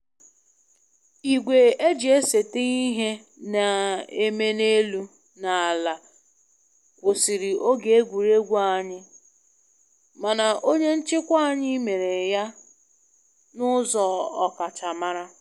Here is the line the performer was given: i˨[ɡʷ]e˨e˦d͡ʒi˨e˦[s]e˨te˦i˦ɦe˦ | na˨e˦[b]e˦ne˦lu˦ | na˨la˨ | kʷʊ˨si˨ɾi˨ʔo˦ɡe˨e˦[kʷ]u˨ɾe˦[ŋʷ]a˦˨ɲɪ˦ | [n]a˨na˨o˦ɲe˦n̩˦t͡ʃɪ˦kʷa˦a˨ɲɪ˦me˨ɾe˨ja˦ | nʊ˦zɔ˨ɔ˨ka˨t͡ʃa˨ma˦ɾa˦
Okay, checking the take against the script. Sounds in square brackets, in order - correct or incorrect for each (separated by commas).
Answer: correct, correct, incorrect, incorrect, incorrect, incorrect